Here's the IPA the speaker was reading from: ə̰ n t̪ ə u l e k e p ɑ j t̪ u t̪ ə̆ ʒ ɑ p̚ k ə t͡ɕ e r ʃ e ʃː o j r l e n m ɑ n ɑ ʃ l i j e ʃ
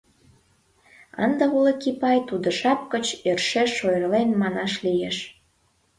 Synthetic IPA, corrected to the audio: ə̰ n d̪ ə u l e k i p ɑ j t̪ u d̪ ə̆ ʃ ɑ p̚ k ə t͡ɕ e r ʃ e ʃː o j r l e n m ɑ n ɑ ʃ l i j e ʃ